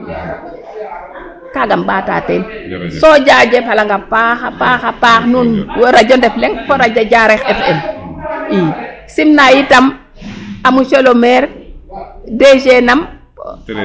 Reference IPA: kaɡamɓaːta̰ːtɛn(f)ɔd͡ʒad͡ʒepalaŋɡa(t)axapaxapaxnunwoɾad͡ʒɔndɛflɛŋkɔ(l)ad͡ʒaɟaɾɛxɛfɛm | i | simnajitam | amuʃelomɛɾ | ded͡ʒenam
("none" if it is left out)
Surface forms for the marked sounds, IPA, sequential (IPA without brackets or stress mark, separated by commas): s, p, ɾ